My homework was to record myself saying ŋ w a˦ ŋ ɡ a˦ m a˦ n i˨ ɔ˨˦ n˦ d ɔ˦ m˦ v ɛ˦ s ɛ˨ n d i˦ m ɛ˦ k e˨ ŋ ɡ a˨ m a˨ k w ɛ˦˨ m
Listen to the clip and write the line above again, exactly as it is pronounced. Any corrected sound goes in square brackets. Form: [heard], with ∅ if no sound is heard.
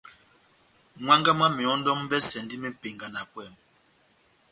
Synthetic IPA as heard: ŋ w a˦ ŋ ɡ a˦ m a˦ [m] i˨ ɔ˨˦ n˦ d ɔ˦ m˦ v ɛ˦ s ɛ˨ n d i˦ m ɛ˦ [p] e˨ ŋ ɡ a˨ [n] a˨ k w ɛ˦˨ m

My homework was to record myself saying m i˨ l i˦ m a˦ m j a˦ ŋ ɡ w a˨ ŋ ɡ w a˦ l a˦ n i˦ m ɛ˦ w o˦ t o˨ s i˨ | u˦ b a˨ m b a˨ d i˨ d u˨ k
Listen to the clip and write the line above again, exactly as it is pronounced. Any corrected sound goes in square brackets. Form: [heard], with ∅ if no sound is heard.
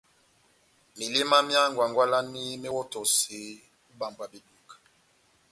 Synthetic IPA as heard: m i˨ l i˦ m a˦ m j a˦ ŋ ɡ w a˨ ŋ ɡ w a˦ l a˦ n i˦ m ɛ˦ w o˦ t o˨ s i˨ | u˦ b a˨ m b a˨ [b] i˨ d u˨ k

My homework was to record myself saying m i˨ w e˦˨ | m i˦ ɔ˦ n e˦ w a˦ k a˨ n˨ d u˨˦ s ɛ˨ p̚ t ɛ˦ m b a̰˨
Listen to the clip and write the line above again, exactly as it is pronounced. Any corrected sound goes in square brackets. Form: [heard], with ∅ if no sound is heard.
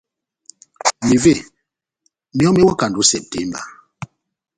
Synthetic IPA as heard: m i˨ [v] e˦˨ | m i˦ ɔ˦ [m] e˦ w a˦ k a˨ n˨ d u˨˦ s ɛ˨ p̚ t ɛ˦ m b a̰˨

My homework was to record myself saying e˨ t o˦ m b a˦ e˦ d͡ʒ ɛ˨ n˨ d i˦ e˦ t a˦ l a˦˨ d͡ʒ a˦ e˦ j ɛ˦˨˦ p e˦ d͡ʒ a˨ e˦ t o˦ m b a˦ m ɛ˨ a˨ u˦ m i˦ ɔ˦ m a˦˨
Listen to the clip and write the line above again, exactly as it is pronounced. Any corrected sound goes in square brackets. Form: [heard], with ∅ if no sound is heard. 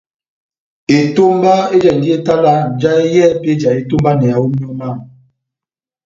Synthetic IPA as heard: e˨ t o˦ m b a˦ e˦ d͡ʒ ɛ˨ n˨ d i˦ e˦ t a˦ l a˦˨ d͡ʒ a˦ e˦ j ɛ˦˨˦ p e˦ d͡ʒ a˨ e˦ t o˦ m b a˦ [n] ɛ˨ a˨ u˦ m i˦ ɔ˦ m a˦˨

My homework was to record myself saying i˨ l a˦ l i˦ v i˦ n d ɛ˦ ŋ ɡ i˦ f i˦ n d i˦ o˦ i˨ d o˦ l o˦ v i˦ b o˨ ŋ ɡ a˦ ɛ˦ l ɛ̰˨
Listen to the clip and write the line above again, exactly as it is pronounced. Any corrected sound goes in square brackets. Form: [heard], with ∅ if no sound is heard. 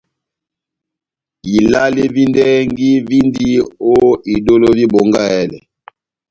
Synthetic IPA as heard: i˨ l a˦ l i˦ v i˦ n d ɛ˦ ŋ ɡ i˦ [v] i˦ n d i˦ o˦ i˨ d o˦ l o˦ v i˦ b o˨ ŋ ɡ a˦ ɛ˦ l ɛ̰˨

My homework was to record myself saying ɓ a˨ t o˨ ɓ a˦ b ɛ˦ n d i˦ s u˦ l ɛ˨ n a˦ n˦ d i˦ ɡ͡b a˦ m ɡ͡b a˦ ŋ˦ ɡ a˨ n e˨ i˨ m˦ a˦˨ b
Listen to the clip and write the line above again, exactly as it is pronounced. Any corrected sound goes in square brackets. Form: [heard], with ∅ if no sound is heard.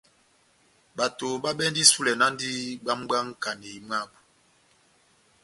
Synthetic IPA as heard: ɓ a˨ t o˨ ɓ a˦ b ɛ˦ n d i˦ s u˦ l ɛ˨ n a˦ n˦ d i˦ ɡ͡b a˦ m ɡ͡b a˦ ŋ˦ [k] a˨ n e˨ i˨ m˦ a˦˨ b

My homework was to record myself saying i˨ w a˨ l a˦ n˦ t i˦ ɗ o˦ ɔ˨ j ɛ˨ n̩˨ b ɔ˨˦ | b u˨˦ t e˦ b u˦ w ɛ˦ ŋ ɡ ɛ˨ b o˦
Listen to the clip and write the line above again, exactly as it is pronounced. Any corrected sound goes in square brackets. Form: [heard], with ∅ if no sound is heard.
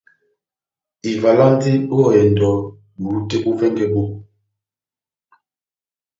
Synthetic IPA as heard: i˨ [v] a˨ l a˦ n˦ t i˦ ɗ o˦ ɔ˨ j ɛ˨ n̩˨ [d] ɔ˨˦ | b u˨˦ t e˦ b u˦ [v] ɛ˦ ŋ ɡ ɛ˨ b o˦

